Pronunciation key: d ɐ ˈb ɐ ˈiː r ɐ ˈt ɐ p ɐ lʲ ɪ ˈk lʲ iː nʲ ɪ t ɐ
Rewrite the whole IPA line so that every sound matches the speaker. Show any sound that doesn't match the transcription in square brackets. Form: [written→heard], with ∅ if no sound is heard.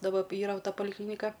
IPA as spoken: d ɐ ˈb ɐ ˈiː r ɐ ˈt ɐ p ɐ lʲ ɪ ˈk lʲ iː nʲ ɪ [t→k] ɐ